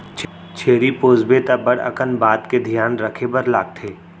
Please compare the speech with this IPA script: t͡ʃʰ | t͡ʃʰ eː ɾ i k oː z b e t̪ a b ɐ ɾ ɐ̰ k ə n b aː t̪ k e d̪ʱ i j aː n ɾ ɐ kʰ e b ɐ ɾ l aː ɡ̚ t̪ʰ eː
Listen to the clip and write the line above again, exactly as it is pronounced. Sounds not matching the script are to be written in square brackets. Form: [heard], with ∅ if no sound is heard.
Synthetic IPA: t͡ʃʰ | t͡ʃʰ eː ɾ i [p] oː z b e t̪ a b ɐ [ɽ] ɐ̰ k ə n b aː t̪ k e d̪ʱ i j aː n ɾ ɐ kʰ e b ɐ ɾ l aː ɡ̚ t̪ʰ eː